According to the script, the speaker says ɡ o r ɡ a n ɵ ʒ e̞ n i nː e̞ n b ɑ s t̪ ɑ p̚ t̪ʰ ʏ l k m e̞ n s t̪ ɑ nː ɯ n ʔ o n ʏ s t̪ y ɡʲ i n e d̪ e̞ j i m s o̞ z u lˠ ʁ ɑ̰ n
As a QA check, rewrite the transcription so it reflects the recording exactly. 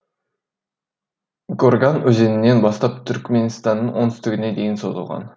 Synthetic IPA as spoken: ɡ o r ɡ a n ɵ z e̞ n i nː e̞ n b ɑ s t̪ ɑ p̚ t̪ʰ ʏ ɾ k m e̞ n s t̪ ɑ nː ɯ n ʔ o n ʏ s t̪ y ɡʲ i n e d̪ e̞ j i n s o̞ z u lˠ ʁ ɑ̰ n